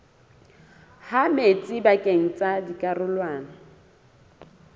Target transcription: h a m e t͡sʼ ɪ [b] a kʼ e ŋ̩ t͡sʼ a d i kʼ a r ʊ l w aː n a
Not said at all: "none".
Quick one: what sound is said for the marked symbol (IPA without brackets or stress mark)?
b